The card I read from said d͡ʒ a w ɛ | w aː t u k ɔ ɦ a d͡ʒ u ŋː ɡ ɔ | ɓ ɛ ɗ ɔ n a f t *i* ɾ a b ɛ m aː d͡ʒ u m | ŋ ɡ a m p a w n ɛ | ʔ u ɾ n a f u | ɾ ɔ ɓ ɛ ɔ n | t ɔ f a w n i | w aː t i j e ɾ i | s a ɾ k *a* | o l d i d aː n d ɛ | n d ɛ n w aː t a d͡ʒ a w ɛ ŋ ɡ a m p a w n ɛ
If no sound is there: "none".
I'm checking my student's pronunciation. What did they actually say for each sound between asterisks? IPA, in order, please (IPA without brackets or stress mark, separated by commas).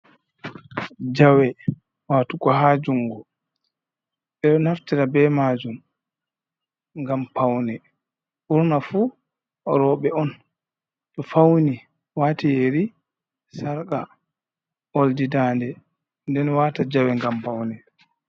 i, a